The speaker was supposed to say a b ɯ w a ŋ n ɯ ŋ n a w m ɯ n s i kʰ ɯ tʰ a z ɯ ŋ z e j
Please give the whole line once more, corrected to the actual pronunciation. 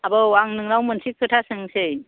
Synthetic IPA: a b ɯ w a ŋ n ɯ ŋ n a w m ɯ n s i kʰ ɯ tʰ a s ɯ ŋ s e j